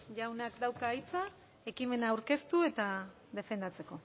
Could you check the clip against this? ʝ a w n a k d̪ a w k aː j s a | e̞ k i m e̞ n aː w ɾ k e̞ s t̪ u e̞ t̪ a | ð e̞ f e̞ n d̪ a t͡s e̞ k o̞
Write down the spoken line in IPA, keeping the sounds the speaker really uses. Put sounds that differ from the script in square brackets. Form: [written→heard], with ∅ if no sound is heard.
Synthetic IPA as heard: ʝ a w n a k d̪ a w k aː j [s→t͡s] a | e̞ k i m e̞ n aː w ɾ k e̞ s t̪ u e̞ t̪ a | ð e̞ f e̞ n d̪ a t͡s e̞ k o̞

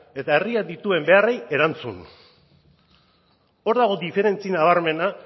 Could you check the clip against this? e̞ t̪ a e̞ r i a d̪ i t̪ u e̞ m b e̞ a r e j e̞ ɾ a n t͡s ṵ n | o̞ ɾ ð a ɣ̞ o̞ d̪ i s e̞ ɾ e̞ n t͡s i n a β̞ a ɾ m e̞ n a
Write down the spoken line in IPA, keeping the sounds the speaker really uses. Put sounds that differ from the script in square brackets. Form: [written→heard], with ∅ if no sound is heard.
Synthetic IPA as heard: e̞ t̪ a e̞ r i a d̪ i t̪ u e̞ m b e̞ a r e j e̞ ɾ a n t͡s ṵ n | o̞ ɾ ð a ɣ̞ o̞ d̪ i [s→f] e̞ ɾ e̞ n t͡s i n a β̞ a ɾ m e̞ n a

